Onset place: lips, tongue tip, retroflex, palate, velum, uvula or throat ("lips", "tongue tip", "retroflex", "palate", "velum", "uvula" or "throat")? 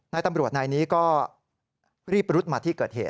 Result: tongue tip